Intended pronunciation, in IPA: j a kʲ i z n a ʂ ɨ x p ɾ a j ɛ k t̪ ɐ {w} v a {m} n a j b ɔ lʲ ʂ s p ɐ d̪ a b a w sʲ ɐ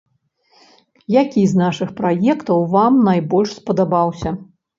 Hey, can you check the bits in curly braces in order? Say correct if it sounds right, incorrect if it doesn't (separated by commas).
correct, correct